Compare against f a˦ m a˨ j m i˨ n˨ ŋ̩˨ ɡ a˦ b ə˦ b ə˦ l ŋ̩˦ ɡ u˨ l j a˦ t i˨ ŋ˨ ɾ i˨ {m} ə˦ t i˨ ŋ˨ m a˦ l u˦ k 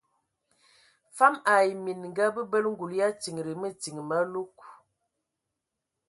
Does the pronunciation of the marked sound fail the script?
no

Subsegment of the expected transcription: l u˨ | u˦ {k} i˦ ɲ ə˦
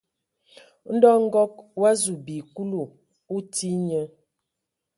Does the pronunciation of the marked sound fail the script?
yes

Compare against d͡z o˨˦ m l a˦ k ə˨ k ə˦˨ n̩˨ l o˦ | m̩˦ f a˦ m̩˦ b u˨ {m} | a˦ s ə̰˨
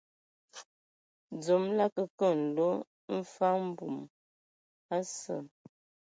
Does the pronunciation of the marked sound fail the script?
no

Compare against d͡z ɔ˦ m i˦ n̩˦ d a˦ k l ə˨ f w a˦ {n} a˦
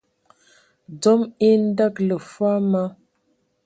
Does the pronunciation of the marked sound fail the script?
yes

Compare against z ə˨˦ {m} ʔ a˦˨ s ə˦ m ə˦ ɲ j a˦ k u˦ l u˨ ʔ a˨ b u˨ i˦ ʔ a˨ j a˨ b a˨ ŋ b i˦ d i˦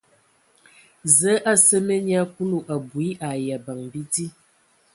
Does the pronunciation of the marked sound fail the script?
yes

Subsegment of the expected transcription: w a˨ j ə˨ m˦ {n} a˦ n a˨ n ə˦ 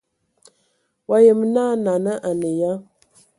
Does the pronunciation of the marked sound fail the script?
no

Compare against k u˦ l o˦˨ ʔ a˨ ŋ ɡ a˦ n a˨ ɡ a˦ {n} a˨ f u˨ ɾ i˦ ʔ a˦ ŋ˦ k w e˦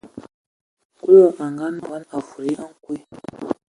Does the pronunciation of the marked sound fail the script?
no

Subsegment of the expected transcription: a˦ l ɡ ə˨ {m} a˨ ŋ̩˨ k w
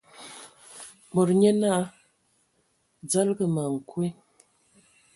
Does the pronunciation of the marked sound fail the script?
no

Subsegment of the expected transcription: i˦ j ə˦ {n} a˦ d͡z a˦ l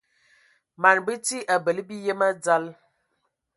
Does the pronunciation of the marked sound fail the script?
yes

